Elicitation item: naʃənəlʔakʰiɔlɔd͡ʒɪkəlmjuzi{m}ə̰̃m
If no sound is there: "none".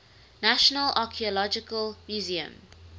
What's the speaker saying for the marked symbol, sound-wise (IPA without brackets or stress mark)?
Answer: none